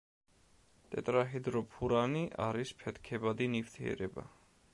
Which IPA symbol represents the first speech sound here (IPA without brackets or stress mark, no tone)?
t̪ʼ